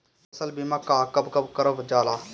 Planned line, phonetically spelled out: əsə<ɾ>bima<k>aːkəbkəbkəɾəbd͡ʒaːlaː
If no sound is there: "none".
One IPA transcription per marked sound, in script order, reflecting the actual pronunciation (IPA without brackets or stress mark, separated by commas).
l, k